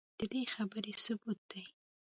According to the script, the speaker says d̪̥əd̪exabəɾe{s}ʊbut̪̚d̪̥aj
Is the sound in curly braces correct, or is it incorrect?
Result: correct